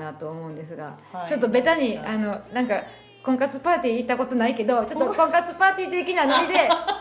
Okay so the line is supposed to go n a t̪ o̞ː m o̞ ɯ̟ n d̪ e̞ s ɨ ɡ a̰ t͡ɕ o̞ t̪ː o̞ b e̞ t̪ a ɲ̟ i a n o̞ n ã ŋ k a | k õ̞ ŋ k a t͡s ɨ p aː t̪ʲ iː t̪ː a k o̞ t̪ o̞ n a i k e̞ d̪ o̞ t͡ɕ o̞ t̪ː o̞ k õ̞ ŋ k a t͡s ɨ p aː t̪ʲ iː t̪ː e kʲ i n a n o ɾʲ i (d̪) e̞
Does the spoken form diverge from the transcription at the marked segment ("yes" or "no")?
no